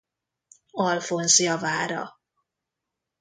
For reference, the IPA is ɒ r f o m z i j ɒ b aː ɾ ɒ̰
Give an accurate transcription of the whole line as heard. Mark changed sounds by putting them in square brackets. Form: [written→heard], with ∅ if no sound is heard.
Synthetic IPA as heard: ɒ [r→l] f o [m→n] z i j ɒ [b→v] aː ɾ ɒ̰